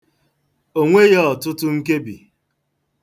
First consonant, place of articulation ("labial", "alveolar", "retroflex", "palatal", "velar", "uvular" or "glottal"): velar